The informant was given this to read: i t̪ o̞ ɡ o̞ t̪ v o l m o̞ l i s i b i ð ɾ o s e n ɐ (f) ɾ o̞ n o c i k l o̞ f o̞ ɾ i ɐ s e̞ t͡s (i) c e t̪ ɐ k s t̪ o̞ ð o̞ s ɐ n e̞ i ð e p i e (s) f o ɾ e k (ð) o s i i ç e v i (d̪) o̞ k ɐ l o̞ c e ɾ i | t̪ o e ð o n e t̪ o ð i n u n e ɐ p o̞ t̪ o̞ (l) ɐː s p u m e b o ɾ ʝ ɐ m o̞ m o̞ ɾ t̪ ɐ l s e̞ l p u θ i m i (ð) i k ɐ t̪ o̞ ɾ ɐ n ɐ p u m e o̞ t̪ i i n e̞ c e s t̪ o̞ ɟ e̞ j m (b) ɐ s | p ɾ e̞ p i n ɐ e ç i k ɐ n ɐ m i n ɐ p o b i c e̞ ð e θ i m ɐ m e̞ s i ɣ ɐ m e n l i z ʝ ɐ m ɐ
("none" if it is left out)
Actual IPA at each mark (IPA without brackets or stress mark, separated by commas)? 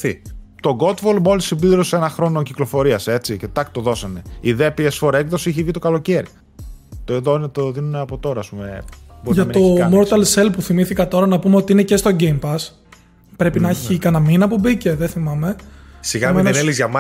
x, i, s, ð, t̪, ɾ, θ, p